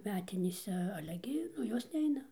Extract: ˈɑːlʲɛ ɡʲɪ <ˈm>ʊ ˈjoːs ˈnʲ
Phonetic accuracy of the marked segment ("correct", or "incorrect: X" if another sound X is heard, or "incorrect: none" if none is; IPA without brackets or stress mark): incorrect: n